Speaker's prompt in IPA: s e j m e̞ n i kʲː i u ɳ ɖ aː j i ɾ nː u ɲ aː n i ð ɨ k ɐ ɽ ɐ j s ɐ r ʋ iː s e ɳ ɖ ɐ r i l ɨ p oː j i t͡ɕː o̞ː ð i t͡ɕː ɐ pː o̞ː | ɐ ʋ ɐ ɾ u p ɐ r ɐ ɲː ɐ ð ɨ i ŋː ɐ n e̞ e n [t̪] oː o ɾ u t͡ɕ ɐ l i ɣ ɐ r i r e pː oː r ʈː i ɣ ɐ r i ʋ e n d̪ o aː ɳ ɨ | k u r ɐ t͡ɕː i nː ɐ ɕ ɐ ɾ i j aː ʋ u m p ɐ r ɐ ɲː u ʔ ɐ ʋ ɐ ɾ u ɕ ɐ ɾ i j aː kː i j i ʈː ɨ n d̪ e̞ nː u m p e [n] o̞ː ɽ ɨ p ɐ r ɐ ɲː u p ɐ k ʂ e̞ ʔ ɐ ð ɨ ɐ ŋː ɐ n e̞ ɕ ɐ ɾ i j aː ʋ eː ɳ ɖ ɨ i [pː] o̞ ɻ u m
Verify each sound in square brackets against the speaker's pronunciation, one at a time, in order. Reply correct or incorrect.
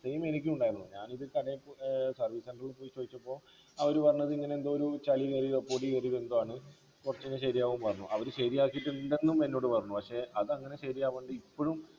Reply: incorrect, incorrect, correct

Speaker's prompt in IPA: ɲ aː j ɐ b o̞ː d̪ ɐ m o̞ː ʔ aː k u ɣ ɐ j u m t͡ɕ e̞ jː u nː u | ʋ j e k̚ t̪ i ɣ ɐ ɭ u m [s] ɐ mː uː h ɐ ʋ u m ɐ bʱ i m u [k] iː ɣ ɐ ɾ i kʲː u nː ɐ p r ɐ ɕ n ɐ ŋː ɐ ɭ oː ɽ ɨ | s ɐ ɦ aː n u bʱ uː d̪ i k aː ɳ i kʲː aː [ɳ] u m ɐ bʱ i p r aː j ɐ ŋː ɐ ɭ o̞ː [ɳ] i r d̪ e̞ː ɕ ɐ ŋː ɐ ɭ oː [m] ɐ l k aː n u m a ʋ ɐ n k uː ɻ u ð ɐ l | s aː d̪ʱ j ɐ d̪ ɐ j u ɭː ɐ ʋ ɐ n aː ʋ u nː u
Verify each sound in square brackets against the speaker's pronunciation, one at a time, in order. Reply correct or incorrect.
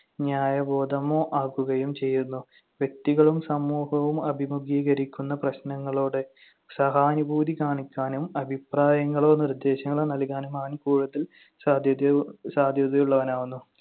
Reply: correct, incorrect, incorrect, incorrect, incorrect

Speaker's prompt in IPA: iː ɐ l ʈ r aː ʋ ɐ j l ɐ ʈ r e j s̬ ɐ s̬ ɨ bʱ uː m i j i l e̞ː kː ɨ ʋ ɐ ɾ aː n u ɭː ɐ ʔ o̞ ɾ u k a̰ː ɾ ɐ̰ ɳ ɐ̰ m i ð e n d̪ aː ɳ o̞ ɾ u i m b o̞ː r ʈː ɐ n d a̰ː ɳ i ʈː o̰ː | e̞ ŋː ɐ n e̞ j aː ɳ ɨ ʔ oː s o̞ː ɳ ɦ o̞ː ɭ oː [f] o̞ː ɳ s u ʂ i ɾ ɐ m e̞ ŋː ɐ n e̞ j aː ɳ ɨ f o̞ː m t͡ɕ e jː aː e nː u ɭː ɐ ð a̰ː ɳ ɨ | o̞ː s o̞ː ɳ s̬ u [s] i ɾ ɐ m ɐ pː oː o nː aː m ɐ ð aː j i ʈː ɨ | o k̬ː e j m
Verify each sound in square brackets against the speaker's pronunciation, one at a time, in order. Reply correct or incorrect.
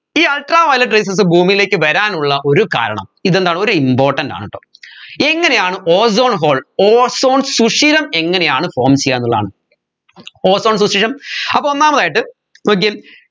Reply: incorrect, incorrect

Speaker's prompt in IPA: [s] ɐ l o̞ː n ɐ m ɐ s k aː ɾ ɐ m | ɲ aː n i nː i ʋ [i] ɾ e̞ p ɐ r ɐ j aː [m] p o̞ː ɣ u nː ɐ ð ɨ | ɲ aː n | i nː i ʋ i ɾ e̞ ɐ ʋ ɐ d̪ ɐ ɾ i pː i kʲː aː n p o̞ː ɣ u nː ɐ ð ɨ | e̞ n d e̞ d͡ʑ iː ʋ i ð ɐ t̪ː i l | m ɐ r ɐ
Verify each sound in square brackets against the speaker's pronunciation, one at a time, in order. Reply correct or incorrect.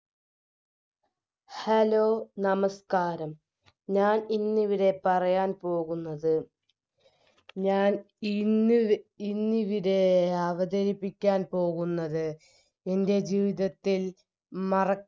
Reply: incorrect, correct, incorrect

